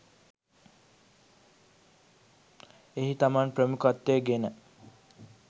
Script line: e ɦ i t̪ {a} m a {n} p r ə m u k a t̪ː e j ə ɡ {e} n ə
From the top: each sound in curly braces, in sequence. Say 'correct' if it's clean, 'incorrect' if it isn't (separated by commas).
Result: correct, correct, correct